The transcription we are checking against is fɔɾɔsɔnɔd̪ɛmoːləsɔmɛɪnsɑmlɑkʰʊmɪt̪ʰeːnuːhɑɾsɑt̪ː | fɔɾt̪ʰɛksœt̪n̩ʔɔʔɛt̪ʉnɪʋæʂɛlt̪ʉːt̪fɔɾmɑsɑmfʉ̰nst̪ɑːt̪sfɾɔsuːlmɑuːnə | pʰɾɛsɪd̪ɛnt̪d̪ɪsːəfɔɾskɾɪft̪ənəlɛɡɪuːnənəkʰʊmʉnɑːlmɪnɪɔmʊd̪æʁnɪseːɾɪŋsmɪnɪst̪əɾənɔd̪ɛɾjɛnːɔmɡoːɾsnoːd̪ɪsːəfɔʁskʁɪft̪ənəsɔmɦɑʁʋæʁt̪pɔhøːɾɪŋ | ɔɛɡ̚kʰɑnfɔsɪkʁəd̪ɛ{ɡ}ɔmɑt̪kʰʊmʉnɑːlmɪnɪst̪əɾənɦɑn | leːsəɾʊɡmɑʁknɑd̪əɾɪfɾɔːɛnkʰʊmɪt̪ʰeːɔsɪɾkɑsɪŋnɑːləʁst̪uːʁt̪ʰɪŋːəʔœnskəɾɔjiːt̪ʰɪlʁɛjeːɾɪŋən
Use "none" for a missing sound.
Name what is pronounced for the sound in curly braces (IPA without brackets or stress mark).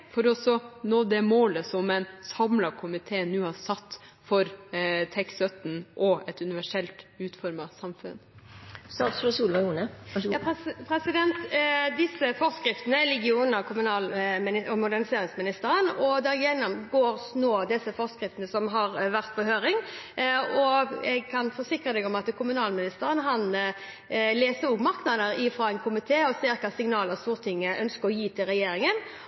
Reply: ɡ